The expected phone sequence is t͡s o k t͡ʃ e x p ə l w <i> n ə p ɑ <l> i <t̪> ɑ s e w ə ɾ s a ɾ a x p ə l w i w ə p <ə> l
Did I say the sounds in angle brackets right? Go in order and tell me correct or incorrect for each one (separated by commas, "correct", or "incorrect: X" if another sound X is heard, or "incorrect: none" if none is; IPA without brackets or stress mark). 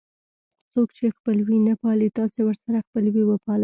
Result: correct, correct, correct, incorrect: ɑ